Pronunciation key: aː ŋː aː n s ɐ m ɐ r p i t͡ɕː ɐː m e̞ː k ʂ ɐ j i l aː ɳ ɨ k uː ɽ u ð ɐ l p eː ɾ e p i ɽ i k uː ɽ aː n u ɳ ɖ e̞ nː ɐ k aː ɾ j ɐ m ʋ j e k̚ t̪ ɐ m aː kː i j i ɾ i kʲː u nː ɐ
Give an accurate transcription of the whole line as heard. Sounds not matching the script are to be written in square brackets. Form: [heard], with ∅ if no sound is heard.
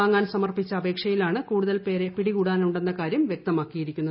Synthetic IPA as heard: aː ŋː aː n s ɐ m ɐ r p i t͡ɕː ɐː [b] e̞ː k ʂ ɐ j i l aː ɳ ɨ k uː ɽ u ð ɐ l p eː ɾ e p i ɽ i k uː ɽ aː n u ɳ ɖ e̞ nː ɐ k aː ɾ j ɐ m ʋ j e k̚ t̪ ɐ m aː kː i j i ɾ i kʲː u nː ɐ